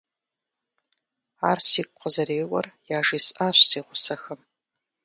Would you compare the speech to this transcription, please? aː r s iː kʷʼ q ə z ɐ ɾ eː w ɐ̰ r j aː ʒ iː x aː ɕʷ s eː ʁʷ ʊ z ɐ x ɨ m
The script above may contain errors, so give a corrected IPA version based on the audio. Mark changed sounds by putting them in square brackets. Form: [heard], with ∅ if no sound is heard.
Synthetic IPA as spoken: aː r s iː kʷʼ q ə z ɐ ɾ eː w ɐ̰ r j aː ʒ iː [s] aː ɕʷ s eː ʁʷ ʊ [s] ɐ x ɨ m